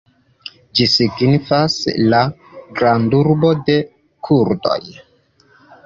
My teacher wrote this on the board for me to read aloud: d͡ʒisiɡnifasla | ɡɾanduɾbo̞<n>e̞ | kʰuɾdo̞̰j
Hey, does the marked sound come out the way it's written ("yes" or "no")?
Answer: no